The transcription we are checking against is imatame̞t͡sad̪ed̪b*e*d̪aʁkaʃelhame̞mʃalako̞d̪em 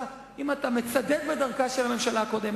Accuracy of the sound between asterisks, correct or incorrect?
correct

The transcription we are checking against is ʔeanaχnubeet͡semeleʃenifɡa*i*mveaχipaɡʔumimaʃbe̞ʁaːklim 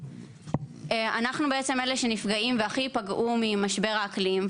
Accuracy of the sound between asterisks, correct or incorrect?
correct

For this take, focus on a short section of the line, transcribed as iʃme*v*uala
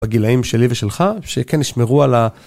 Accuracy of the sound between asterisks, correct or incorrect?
incorrect: ʁ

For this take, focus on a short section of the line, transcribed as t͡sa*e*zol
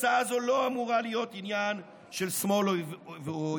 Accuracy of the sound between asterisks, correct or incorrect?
incorrect: a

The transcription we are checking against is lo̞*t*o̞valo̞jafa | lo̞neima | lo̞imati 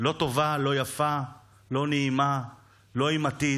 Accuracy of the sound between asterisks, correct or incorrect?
correct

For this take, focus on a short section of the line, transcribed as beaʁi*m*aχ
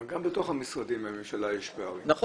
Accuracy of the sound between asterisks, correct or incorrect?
incorrect: n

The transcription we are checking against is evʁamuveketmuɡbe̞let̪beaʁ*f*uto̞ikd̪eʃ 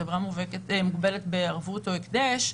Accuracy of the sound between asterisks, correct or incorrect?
incorrect: v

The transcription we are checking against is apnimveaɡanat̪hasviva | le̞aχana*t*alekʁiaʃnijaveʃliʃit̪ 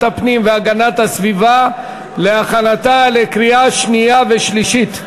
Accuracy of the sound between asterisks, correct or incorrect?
correct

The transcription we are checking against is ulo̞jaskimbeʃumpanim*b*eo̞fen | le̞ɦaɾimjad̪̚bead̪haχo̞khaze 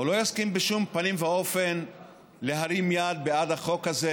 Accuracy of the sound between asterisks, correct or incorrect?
incorrect: v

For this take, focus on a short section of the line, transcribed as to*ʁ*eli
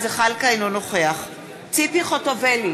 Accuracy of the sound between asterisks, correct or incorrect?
incorrect: v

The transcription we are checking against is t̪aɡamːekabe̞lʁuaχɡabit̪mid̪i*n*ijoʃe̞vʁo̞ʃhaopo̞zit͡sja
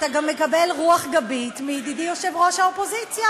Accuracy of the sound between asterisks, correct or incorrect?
incorrect: d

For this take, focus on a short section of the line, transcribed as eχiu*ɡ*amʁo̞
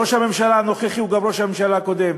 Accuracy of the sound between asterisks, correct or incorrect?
correct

